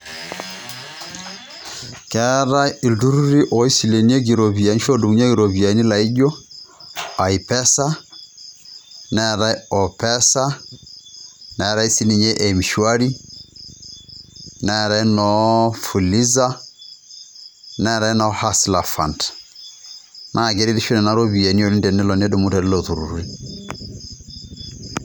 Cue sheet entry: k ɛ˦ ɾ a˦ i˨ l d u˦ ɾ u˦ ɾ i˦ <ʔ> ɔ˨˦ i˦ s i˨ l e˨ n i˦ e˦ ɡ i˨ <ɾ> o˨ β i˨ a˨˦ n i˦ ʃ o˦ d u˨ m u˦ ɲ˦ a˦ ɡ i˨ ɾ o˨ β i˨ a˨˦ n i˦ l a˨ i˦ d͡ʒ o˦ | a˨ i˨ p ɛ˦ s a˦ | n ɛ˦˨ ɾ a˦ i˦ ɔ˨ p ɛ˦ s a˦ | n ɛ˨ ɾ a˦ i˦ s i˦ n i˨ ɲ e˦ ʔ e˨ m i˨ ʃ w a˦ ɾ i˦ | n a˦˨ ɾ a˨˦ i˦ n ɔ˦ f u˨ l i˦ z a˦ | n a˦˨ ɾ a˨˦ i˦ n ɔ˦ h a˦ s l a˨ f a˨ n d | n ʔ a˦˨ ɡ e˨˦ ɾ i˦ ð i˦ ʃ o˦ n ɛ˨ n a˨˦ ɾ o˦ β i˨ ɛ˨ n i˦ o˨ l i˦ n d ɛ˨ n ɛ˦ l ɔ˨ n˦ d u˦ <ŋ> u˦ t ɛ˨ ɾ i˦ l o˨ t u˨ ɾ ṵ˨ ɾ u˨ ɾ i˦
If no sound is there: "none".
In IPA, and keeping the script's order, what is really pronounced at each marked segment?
ʔ, ɾ, m

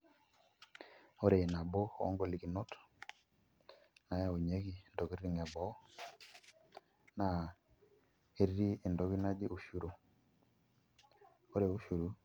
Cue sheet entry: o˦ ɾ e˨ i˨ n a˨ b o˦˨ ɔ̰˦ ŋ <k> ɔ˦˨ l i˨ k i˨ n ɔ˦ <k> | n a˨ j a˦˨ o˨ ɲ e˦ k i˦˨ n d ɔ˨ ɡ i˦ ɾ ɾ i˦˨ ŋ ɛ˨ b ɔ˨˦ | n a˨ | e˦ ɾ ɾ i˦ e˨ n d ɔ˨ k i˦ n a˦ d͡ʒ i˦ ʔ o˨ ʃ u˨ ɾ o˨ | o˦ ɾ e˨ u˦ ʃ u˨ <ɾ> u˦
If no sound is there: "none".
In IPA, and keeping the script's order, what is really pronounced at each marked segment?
ɡ, t, ɾ

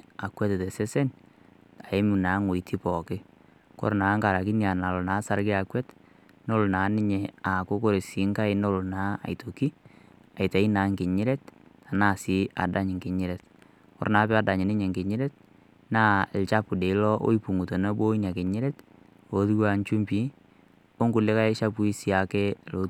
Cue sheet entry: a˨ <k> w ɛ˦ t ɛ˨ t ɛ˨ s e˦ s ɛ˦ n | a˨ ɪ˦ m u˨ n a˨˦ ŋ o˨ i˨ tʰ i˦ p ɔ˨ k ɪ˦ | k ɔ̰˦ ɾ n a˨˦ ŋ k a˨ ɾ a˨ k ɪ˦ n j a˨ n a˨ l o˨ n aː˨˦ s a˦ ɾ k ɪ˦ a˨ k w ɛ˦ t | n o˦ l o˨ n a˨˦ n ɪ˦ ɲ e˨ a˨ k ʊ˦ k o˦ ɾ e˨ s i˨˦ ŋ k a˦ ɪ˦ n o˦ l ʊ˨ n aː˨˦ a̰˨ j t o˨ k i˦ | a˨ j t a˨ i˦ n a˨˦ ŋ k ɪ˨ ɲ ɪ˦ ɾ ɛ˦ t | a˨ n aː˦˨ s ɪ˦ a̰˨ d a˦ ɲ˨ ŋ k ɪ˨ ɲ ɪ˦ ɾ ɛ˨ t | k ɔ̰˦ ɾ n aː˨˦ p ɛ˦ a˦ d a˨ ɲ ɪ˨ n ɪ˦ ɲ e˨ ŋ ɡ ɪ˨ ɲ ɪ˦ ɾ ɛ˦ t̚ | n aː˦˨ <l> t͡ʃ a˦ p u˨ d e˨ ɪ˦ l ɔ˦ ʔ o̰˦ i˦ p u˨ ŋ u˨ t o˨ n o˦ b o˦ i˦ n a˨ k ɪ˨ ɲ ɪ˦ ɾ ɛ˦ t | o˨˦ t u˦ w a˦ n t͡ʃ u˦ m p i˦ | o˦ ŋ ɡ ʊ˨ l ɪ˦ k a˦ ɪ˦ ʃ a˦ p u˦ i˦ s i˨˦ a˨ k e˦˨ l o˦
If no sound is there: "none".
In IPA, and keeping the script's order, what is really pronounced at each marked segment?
k, l

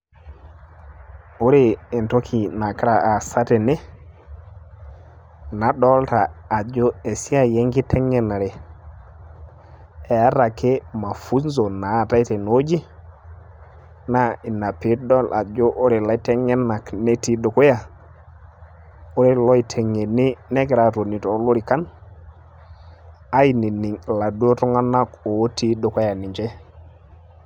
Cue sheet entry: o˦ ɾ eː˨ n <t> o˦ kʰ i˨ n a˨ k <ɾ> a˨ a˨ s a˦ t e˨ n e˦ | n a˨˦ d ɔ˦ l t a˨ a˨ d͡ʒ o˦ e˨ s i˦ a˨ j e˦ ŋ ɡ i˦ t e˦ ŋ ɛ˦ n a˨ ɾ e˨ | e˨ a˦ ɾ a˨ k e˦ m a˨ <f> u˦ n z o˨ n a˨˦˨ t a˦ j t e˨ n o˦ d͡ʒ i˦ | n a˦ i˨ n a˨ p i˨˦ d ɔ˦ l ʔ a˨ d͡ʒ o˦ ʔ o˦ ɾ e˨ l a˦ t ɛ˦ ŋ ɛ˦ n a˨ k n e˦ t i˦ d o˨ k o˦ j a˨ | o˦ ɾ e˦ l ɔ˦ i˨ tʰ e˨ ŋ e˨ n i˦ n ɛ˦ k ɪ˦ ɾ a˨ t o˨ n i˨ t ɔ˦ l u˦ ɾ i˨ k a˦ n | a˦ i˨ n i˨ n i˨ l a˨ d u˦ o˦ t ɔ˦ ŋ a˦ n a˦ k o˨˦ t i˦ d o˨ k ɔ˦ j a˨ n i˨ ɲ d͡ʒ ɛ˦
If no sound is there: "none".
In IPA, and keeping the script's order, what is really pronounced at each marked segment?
t, ɾ, f

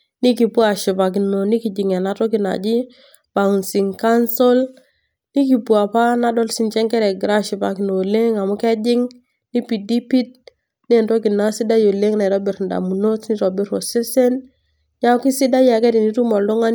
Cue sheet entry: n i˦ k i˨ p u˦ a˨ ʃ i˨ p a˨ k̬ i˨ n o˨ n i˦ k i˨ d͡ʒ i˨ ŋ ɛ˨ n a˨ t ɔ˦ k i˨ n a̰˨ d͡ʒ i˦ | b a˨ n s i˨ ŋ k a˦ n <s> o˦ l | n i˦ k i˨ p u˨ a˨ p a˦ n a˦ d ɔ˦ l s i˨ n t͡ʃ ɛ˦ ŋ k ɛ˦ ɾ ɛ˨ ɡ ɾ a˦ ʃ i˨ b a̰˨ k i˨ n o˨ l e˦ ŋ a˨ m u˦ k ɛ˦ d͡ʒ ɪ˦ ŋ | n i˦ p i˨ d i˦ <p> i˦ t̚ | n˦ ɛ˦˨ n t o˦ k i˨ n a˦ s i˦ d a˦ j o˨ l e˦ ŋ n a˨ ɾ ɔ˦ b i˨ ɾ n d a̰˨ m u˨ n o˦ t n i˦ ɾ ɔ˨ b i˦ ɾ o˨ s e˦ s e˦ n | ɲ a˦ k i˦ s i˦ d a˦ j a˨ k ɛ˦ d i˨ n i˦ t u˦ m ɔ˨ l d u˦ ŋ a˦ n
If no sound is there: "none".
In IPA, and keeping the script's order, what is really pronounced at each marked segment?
s, p

